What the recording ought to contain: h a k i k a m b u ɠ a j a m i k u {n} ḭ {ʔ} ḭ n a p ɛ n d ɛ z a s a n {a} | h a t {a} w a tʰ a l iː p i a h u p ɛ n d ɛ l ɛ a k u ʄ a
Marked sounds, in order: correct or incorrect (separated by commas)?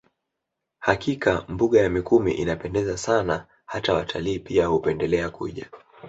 incorrect, correct, correct, correct